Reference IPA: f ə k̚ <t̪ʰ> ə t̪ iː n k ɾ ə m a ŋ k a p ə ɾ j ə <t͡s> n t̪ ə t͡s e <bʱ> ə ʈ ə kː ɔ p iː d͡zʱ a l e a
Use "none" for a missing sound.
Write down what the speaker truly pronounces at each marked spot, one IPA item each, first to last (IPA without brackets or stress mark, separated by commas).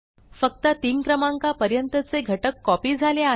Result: t̪, none, ɡʱ